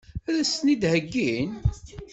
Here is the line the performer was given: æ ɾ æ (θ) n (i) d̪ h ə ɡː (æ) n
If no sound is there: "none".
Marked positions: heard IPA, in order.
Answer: s, i, i

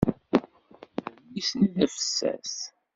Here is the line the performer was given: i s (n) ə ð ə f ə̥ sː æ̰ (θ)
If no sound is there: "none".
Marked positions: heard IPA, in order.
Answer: n, s

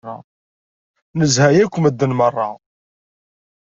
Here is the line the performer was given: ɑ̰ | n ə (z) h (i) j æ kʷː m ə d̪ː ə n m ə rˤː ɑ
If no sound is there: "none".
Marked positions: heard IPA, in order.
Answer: z, æ

